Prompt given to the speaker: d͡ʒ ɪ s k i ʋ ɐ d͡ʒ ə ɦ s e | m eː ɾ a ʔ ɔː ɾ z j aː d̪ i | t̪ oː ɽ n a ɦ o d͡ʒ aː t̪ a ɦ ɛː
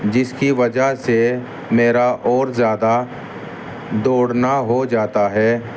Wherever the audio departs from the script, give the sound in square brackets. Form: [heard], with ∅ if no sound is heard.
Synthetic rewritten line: d͡ʒ ɪ s k i ʋ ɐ d͡ʒ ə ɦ s e | m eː ɾ a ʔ ɔː ɾ z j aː d̪ [a] | [d̪] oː ɽ n a ɦ o d͡ʒ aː t̪ a ɦ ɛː